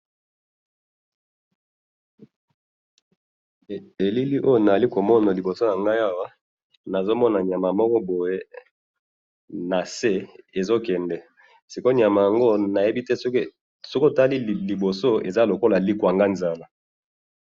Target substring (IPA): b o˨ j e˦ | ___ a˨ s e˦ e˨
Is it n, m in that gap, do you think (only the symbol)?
n